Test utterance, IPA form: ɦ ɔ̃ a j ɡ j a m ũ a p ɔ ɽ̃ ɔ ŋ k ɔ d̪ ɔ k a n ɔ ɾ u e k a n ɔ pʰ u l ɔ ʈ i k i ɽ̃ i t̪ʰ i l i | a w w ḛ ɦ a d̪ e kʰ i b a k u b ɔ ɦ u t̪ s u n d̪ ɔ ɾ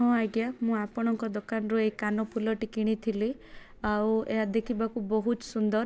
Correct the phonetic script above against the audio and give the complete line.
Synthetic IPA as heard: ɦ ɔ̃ a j ɡ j a m ũ a p ɔ ɽ̃ ɔ ŋ k ɔ d̪ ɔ k a n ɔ ɾ u e k a n ɔ pʰ u l ɔ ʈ i k i ɽ̃ i t̪ʰ i l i | a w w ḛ ɦ a d̪ e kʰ i b a k u b ɔ ɦ u t̪ s u n d̪ ɔ ɾ